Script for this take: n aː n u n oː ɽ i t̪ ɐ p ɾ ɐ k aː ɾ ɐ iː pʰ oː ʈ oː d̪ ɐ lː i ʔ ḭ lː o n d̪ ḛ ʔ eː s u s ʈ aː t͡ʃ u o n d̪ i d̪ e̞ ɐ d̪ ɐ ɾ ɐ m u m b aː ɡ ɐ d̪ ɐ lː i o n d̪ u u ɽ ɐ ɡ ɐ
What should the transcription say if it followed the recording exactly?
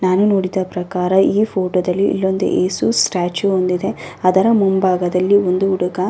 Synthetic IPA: n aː n u n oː ɽ i d̪ ɐ p ɾ ɐ k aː ɾ ɐ iː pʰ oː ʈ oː d̪ ɐ lː i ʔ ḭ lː o n d̪ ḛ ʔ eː s u s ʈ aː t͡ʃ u o n d̪ i d̪ e̞ ɐ d̪ ɐ ɾ ɐ m u m b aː ɡ ɐ d̪ ɐ lː i o n d̪ u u ɽ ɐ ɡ ɐ